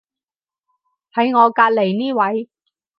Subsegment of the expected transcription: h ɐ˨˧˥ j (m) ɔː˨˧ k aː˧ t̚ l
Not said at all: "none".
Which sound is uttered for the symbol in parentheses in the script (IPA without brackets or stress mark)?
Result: ŋ